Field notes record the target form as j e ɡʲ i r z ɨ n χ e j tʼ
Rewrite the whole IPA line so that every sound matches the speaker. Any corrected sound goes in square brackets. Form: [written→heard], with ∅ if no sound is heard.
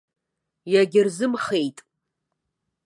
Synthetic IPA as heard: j [e→a] ɡʲ [i→ɪ] r z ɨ [n→m] χ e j tʼ

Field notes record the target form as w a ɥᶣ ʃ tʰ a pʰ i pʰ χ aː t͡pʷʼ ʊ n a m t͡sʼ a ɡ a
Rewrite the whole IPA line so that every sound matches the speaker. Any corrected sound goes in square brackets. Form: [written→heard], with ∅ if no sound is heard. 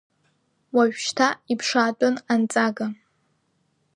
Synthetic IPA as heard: w a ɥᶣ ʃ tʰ a [pʰ→∅] i pʰ [χ→ʂ] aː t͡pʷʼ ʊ n a [m→n] t͡sʼ a ɡ a

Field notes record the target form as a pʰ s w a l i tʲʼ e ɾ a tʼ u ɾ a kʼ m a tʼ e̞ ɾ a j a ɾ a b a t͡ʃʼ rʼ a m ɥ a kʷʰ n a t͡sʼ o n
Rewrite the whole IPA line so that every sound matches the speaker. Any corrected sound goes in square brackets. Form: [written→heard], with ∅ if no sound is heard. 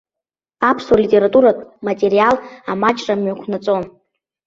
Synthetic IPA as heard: a pʰ s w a l i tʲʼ e ɾ a tʼ u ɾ a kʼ m a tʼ e̞ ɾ [a→i] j a [ɾ→l] a [b→m] a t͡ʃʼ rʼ a m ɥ a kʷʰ n a t͡sʼ o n

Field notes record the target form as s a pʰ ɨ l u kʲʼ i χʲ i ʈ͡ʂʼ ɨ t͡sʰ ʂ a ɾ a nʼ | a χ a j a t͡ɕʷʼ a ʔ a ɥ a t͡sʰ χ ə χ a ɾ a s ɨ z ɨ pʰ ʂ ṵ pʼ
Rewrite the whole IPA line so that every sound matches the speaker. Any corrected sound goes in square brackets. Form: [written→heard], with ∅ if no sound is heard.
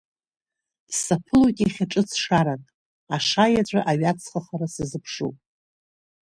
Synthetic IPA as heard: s a pʰ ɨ l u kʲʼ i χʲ [i→a] ʈ͡ʂʼ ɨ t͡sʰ ʂ a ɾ a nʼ | a [χ→ʂ] a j a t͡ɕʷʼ a ʔ a ɥ a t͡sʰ χ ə χ a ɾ a s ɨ z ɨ pʰ ʂ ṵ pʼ

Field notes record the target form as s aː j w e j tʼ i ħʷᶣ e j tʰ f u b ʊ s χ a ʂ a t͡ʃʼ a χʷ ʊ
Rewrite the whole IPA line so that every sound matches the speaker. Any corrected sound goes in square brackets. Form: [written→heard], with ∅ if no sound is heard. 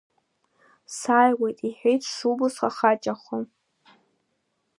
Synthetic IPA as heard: s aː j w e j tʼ i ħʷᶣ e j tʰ [f→ʂ] u b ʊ s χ a [ʂ→χ] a t͡ʃʼ a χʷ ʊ

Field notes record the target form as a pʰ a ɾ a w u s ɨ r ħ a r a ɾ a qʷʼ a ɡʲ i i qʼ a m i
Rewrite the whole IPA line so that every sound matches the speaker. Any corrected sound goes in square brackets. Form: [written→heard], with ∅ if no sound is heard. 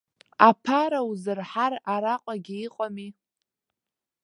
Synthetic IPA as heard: a pʰ a ɾ a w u [s→z] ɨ r ħ a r a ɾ a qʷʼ a ɡʲ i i qʼ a m i

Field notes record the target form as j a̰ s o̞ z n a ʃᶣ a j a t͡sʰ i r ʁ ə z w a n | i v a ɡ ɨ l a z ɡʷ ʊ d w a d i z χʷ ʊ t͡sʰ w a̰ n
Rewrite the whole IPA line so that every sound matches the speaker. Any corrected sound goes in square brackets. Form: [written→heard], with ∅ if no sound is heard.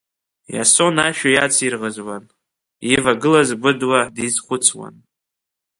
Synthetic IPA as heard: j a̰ s o̞ [z→∅] n a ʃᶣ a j a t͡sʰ i r ʁ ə z w a n | i v a ɡ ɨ l a z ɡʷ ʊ d w a d i z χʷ ʊ t͡sʰ w a̰ n

